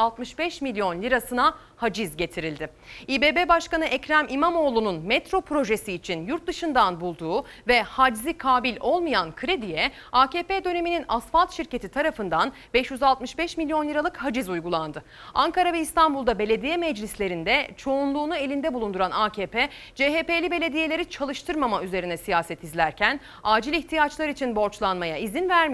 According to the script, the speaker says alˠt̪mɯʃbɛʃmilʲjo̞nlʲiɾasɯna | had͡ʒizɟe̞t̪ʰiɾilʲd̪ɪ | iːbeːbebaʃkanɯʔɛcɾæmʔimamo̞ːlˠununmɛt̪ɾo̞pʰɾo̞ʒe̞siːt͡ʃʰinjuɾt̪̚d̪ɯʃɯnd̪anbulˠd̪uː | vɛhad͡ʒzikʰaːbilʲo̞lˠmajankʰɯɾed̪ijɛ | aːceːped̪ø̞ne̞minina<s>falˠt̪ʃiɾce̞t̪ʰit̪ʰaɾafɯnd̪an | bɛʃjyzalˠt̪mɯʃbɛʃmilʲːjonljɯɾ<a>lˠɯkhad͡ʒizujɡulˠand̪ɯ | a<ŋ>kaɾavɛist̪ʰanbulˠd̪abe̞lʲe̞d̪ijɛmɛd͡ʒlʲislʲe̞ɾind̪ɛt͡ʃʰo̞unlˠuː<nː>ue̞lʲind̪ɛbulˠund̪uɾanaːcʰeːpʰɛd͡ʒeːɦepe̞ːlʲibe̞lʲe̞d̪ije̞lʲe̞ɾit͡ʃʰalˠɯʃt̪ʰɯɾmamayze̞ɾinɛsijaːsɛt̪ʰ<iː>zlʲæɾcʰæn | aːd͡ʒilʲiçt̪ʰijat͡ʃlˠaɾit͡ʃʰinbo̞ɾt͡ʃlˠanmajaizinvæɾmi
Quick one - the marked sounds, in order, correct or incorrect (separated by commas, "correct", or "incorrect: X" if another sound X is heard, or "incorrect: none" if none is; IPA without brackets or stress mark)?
correct, correct, correct, incorrect: n, incorrect: i